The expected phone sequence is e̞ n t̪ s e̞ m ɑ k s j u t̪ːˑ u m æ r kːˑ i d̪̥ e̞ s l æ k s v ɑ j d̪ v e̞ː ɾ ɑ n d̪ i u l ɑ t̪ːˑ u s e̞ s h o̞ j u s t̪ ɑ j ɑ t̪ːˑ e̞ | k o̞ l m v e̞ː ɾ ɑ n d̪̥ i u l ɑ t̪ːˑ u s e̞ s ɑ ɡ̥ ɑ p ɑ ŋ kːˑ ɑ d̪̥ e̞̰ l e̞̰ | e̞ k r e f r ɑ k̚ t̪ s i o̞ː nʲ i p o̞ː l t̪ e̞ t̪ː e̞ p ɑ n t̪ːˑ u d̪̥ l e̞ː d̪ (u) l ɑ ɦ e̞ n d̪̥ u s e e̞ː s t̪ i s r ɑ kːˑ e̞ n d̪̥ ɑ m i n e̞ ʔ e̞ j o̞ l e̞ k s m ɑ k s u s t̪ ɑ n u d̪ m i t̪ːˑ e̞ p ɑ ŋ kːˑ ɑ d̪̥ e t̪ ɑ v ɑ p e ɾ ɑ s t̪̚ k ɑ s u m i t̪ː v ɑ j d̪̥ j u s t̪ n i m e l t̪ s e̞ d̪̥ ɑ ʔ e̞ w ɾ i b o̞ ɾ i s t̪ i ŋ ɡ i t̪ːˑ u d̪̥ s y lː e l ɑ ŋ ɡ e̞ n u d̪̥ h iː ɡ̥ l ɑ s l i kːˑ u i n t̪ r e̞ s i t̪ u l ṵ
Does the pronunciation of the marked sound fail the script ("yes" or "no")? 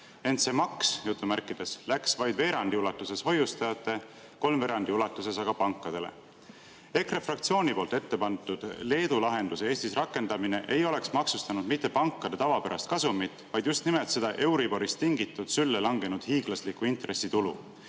no